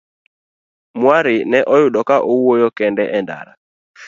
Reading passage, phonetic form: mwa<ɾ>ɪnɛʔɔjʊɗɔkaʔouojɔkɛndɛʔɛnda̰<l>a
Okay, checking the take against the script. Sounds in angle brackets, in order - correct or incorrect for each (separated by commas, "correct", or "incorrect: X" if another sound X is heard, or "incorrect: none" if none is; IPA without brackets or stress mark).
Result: correct, incorrect: ɾ